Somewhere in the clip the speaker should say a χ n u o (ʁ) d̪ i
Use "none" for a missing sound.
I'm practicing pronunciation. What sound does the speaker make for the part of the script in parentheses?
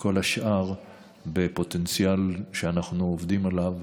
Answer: v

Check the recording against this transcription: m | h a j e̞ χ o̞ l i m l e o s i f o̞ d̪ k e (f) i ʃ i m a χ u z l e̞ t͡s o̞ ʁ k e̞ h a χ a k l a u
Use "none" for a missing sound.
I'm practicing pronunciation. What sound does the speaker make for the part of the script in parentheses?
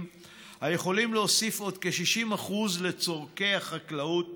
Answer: ʃ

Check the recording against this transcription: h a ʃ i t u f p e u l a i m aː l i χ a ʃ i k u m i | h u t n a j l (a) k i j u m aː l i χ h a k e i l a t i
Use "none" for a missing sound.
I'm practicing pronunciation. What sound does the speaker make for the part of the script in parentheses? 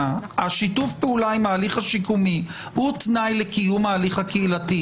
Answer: e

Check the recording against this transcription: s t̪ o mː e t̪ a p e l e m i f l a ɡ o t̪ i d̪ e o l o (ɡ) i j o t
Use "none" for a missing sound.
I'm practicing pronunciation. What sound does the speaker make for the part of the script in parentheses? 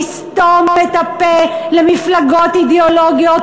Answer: ɡ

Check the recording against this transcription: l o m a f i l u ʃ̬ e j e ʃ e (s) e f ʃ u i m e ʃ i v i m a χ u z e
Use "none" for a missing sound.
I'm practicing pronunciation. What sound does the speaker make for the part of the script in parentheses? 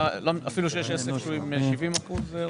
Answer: s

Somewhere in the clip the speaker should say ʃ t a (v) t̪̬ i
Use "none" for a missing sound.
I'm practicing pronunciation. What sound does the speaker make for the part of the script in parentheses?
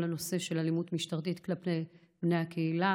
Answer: ʁ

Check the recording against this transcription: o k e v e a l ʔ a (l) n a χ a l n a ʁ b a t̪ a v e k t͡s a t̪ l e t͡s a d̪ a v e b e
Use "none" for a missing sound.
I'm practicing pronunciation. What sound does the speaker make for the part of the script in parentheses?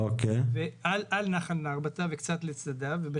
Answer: l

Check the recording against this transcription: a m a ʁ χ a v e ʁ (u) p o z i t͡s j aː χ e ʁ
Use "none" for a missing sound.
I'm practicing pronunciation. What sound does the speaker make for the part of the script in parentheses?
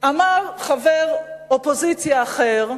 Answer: o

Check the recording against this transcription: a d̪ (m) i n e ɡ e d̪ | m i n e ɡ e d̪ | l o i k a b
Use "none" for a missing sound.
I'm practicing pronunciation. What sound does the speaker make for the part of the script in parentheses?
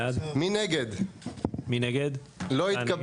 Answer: m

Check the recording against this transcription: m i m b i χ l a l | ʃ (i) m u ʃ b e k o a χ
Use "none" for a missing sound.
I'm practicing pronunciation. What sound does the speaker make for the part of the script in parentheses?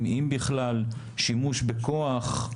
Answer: i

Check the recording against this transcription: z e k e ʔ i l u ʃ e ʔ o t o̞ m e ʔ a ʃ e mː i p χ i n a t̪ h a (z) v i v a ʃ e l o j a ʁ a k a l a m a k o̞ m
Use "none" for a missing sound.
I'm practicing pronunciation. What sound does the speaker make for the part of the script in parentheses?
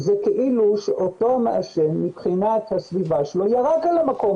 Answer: s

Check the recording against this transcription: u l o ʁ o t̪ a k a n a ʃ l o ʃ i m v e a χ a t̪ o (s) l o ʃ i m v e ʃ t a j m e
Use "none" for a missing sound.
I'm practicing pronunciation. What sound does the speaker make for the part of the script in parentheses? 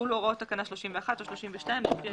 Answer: ʃ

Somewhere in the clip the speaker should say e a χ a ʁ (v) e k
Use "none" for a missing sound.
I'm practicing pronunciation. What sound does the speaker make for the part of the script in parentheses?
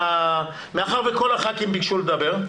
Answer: v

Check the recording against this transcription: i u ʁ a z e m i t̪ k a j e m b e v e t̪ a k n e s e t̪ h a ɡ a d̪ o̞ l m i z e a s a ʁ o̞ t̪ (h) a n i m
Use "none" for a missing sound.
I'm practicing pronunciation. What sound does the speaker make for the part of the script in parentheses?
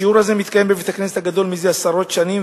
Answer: ʃ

